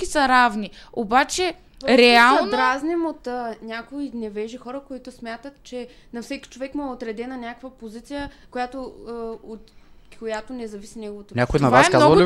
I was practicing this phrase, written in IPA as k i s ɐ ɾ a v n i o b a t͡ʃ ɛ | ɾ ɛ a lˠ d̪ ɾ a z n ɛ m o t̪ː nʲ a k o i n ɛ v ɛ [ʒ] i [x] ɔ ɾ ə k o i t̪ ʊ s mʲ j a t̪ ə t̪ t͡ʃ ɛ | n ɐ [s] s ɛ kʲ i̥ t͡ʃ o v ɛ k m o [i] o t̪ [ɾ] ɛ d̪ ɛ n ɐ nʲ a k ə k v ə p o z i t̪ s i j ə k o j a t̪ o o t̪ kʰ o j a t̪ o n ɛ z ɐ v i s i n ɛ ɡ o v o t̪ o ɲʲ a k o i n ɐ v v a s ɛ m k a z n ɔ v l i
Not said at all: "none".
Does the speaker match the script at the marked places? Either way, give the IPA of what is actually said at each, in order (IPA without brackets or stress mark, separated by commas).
ʒ, x, f, ɛ, ɾ